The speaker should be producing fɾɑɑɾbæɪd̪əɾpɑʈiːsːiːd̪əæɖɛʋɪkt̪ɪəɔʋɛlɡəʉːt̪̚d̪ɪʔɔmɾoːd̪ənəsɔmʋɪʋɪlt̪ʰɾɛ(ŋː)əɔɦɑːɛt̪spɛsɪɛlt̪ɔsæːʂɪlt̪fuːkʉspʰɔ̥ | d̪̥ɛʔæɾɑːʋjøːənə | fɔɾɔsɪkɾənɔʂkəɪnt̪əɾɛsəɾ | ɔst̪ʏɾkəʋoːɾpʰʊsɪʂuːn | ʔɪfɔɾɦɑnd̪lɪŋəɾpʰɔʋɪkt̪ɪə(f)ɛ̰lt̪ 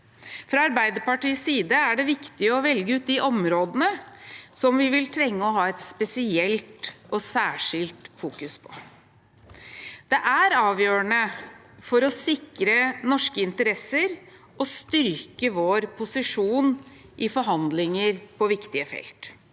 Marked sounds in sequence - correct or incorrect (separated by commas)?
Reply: correct, correct